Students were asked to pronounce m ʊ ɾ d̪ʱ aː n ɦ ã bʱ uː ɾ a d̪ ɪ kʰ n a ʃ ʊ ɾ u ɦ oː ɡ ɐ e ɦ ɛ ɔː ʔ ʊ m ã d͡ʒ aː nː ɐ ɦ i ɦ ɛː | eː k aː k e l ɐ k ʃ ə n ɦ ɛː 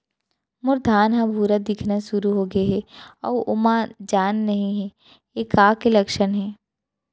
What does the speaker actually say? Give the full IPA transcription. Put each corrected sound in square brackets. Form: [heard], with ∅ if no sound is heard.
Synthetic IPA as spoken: m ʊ ɾ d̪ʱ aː n ɦ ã bʱ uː ɾ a d̪ ɪ kʰ n a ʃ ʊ ɾ u ɦ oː ɡ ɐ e ɦ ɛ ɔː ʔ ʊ m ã d͡ʒ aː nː ɐ ɦ [ĩ] ɦ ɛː | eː k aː k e l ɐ k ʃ ə n ɦ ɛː